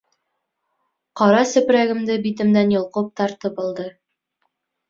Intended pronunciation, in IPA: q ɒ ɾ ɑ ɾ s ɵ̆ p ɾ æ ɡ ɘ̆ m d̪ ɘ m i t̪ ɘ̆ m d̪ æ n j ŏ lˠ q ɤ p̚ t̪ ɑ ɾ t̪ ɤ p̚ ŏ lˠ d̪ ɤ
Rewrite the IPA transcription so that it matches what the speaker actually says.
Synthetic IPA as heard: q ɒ ɾ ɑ s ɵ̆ p ɾ æ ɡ ɘ̆ m d̪ ɘ b i t̪ ɘ̆ m d̪ æ n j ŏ lˠ q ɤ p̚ t̪ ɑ ɾ t̪ ɤ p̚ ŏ lˠ d̪ ɤ

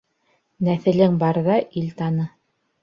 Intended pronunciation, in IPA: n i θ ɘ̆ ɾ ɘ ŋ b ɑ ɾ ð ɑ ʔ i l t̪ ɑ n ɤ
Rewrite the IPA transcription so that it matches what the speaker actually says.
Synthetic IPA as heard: n æ θ ɘ̆ l ɘ ŋ b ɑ ɾ ð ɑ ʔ i l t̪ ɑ n ɤ

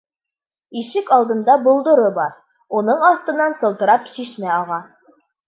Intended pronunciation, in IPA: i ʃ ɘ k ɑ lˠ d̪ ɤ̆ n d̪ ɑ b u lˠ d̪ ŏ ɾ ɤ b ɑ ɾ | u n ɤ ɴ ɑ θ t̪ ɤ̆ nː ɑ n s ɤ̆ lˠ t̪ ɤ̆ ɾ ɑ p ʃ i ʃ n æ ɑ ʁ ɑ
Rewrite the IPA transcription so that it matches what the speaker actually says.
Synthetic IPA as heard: i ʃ ɘ k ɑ lˠ d̪ ɤ̆ n d̪ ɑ b u lˠ d̪ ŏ ɾ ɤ b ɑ ɾ | u n ɤ ɴ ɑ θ t̪ ɤ̆ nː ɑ n s ɤ̆ lˠ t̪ ɤ̆ ɾ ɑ p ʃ i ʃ m æ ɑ ʁ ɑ

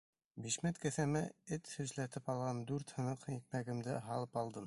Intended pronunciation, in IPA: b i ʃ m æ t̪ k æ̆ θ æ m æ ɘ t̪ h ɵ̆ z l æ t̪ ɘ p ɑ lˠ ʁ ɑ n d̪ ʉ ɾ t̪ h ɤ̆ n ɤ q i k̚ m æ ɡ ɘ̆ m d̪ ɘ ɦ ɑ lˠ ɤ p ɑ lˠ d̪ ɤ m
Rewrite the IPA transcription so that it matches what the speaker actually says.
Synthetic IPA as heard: b i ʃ m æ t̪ k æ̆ θ æ m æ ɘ t̪ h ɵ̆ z l æ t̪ ɘ p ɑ lˠ ʁ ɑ n d̪ ʉ ɾ t̪ h ɤ̆ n ɤ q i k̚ m æ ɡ ɘ̆ m d̪ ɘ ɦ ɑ lˠ ɤ p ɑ lˠ d̪ ɤ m

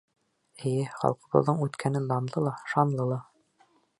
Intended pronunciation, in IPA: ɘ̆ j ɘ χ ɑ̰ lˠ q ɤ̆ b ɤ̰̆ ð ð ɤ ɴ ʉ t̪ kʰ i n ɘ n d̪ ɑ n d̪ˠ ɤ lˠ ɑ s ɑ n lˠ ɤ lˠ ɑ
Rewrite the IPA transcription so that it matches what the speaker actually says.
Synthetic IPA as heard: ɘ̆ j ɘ χ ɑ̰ lˠ q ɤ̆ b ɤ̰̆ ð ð ɤ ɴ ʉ t̪ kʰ æ n ɘ n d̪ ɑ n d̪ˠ ɤ lˠ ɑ ʃ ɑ n lˠ ɤ lˠ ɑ

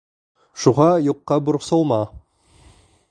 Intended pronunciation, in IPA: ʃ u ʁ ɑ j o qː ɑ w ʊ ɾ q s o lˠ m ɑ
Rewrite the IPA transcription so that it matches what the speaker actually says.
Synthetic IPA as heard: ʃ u ʁ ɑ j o qː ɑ b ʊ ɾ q s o lˠ m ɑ

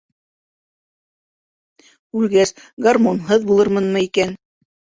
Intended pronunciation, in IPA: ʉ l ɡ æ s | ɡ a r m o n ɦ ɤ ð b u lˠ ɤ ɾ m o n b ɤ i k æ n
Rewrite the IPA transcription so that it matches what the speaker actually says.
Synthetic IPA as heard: ʉ l ɡ æ s | ɡ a r m o n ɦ ɤ ð b u lˠ ɤ ɾ m ɤ n m ɤ i k æ n

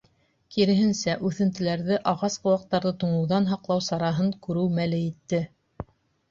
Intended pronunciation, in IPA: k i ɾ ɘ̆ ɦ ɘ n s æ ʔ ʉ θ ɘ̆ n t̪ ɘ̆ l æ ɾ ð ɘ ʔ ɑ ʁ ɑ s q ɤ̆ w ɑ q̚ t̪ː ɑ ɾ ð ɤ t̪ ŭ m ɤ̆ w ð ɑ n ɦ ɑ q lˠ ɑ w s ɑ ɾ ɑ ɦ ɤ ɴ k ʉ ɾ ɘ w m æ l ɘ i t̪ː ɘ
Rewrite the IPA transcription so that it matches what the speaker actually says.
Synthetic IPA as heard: k i ɾ ɘ̆ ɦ ɘ n s æ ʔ ʉ θ ɘ̆ n t̪ ɘ̆ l æ ɾ ð ɘ ʔ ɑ ʁ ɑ s q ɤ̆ w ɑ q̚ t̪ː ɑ ɾ ð ɤ t̪ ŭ ɴ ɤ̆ w ð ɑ n ɦ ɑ q lˠ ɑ w s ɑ ɾ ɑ ɦ ɤ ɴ k ʉ ɾ ɘ w m æ l ɘ i t̪ː ɘ

